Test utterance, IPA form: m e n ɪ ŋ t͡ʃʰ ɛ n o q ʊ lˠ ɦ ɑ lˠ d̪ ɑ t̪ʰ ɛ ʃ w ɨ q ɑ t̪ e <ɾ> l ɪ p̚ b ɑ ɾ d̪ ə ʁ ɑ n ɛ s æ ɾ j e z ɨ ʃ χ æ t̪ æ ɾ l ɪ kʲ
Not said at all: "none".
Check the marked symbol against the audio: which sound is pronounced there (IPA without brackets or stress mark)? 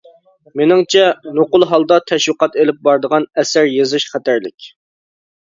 none